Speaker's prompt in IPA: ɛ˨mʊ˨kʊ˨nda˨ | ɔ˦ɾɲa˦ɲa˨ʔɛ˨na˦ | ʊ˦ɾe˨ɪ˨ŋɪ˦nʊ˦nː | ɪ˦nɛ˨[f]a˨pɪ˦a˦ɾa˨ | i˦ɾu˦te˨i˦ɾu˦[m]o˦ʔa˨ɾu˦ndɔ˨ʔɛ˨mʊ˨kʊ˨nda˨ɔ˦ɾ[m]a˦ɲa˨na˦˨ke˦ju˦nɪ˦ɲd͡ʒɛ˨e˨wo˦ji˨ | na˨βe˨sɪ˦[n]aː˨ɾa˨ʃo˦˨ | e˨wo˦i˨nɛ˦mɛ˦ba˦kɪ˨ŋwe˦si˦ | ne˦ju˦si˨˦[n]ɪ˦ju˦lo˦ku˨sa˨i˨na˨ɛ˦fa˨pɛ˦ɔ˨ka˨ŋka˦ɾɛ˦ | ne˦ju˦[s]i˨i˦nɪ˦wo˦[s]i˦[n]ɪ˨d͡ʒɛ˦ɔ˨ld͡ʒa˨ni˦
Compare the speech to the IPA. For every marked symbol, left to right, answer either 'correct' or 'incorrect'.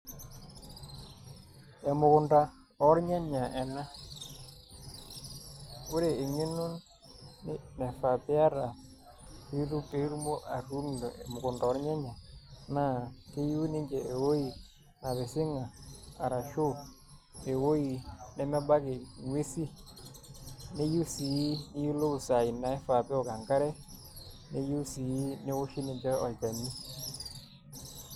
correct, correct, incorrect, incorrect, correct, correct, incorrect, correct

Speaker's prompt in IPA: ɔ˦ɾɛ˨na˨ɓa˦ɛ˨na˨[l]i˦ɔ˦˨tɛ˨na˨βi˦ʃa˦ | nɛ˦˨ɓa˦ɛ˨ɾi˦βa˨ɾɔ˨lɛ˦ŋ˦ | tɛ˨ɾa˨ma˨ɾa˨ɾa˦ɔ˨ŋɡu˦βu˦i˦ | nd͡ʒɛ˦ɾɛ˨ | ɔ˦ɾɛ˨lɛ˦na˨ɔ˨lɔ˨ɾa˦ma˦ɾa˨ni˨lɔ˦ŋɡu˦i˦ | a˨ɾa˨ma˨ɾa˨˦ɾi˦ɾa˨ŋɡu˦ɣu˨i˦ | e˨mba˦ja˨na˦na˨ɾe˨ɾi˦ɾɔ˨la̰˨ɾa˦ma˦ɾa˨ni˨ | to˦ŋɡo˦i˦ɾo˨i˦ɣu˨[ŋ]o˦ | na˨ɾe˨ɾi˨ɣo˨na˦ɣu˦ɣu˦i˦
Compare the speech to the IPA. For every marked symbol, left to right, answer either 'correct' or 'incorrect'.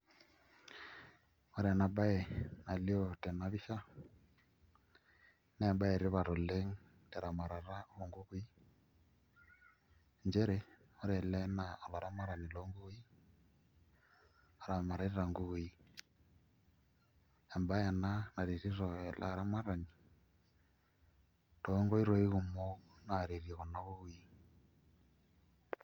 correct, incorrect

